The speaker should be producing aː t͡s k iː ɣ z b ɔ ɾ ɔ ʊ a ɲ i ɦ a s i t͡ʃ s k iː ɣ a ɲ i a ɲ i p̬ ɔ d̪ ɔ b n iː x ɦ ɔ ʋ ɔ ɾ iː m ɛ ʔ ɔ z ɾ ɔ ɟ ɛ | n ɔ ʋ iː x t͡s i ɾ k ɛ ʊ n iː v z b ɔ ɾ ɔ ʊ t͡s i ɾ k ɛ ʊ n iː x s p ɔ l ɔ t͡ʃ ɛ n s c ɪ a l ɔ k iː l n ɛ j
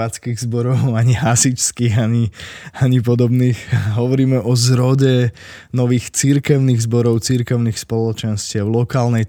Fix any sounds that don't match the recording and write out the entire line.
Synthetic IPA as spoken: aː t͡s k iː ɣ z b ɔ ɾ ɔ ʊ a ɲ i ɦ a s i t͡ʃ s k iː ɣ a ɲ i a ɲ i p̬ ɔ d̪ ɔ b n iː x ɦ ɔ ʋ ɔ ɾ iː m ɛ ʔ ɔ z ɾ ɔ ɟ ɛ | n ɔ ʋ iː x t͡s i ɾ k ɛ ʊ n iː ɣ z b ɔ ɾ ɔ ʊ t͡s i ɾ k ɛ ʊ n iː x s p ɔ l ɔ t͡ʃ ɛ n s c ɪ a l ɔ k aː l n ɛ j